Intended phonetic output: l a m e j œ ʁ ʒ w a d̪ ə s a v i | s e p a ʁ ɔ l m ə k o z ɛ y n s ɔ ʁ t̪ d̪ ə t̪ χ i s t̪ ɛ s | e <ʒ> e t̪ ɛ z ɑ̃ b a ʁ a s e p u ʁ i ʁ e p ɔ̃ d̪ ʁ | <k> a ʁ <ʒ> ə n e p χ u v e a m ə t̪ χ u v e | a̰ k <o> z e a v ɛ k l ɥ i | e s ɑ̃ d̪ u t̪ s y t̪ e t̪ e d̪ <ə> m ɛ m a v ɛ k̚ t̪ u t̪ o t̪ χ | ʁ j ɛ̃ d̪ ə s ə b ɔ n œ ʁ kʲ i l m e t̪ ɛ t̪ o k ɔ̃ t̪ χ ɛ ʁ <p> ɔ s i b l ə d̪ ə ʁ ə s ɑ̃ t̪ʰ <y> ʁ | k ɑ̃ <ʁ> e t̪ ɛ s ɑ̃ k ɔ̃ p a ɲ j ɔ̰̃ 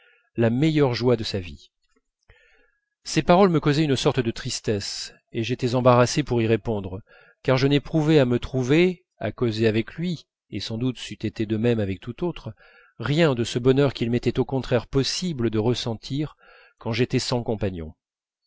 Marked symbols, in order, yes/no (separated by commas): yes, yes, yes, yes, yes, yes, no, no